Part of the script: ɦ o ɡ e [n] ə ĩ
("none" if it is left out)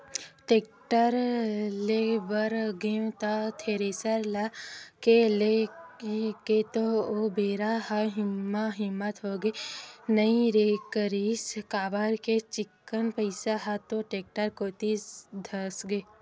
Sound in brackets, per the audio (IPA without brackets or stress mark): n